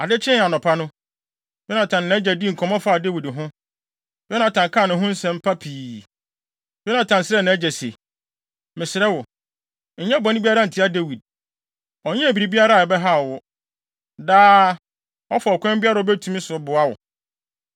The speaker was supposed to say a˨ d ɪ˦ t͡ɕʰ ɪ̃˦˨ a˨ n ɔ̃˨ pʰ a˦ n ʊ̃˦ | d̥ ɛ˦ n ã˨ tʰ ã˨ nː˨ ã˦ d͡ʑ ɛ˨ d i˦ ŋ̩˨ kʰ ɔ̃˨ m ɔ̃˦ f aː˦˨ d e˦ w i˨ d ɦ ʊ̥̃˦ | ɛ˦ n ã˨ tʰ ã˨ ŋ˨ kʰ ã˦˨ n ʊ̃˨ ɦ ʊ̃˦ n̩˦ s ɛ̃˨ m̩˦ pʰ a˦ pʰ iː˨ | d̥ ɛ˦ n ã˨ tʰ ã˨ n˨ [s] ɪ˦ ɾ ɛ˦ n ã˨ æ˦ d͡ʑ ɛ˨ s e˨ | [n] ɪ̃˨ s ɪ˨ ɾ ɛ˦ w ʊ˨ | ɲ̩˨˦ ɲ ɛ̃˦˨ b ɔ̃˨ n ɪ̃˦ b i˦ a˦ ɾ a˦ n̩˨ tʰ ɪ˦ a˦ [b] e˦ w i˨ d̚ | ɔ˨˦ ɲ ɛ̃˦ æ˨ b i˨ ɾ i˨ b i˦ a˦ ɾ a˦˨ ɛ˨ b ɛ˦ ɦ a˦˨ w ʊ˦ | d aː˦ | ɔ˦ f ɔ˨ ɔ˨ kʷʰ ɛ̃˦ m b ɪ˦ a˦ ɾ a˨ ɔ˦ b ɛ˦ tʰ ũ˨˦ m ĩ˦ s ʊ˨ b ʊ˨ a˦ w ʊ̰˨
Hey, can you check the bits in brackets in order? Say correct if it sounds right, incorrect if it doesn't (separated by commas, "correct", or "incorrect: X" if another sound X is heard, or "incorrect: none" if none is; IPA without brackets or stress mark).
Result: correct, incorrect: m, incorrect: d